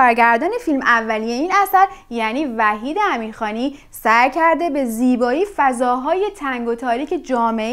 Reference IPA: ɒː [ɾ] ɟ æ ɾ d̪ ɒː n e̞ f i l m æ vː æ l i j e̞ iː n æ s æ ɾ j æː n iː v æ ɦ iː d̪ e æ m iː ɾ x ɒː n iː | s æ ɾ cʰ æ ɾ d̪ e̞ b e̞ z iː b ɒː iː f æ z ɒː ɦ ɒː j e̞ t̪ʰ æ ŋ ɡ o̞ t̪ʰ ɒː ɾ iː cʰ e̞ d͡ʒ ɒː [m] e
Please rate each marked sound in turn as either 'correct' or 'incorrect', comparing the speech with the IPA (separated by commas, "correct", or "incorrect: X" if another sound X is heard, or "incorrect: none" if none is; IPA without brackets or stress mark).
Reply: correct, correct